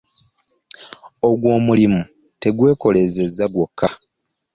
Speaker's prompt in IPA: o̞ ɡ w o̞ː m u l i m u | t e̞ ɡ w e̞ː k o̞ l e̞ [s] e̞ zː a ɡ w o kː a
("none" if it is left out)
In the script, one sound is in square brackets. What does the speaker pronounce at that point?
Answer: z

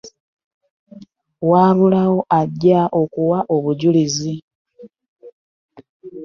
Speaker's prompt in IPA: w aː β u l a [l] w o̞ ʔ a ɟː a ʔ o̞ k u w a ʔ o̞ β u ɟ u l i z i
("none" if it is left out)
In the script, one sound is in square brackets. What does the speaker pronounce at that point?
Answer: none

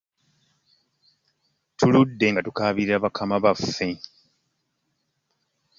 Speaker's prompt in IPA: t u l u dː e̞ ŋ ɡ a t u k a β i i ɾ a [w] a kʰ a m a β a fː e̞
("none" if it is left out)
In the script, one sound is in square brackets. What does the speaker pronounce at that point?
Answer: β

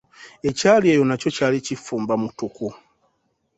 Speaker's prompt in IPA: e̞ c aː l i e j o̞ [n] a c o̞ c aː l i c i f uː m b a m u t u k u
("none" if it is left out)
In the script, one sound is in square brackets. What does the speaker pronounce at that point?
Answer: n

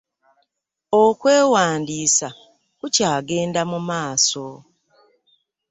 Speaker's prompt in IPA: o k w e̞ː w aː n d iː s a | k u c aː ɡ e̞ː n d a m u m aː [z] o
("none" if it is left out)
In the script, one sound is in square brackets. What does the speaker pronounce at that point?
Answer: s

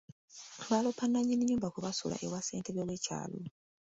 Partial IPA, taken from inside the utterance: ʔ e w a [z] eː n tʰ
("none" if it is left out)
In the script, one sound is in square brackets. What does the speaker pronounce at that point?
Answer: s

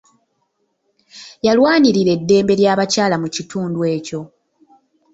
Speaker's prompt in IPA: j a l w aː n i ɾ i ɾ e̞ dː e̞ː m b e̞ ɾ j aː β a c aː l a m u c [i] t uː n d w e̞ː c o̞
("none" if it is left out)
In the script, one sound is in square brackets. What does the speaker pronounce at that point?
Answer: i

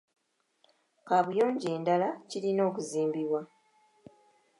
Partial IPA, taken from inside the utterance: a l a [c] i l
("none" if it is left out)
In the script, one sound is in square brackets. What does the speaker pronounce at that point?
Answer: c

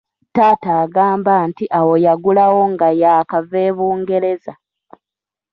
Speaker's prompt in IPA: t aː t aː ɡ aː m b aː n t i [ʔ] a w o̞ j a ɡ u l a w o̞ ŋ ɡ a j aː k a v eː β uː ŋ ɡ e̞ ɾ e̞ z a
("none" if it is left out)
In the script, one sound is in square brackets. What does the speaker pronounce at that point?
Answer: ʔ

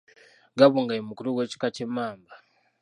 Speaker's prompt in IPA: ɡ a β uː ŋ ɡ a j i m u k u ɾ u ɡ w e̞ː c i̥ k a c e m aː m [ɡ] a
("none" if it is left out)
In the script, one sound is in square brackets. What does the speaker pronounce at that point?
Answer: b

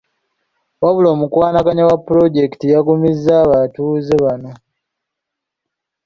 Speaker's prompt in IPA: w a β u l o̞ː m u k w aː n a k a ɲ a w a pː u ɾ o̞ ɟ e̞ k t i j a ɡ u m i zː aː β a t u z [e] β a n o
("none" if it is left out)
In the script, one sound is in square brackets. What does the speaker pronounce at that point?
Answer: e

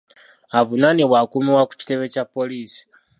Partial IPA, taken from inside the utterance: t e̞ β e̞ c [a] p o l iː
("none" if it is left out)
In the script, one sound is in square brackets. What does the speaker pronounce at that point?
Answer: a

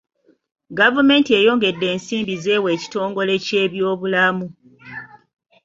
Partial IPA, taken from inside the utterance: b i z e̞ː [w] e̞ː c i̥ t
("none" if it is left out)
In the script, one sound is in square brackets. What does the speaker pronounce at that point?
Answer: w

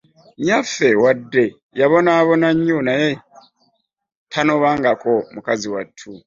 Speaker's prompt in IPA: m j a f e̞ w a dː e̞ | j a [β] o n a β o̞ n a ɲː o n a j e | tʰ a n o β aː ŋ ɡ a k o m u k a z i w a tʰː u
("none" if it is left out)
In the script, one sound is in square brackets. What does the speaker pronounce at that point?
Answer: β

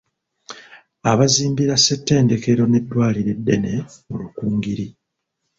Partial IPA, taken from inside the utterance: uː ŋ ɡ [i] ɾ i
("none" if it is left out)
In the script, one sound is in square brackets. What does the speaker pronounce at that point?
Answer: i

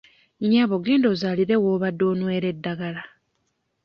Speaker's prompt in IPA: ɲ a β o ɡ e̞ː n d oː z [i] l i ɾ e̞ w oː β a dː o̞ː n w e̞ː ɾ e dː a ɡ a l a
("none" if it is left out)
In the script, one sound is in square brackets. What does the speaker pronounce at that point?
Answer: a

